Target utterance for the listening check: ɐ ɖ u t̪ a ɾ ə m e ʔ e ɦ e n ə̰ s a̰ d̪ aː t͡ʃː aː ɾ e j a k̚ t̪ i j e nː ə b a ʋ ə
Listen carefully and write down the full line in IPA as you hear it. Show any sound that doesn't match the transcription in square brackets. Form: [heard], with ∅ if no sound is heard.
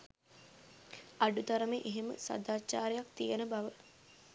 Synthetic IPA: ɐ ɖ u t̪ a ɾ ə m e ʔ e ɦ e [m] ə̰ s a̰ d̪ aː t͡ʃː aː ɾ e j a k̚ t̪ i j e [n] ə b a ʋ ə